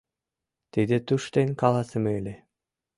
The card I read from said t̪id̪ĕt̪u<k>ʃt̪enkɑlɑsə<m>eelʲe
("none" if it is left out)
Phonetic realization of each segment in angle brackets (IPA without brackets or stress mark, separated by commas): none, m